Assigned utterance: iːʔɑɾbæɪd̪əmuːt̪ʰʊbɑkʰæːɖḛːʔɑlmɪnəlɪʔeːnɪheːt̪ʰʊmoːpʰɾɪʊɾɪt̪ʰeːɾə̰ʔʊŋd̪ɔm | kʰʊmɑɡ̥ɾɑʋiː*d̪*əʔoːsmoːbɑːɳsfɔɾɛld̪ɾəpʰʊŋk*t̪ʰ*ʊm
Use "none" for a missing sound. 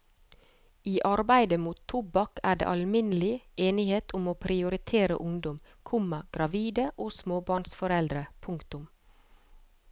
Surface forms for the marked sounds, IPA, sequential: d̪, t̪

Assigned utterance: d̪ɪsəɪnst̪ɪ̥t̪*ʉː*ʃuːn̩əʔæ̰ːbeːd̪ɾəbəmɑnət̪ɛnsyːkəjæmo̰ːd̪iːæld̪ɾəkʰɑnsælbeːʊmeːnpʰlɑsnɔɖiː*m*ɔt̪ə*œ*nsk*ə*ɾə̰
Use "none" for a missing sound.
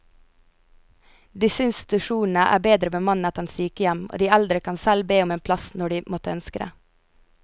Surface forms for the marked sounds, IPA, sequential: ʉ, m, œ, ə

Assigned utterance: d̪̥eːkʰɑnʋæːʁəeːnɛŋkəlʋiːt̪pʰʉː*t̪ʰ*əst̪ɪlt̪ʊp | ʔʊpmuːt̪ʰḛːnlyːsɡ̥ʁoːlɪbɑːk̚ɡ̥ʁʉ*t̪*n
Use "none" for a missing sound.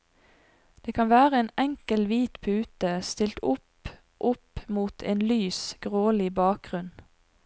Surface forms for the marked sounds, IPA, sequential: t̪, none

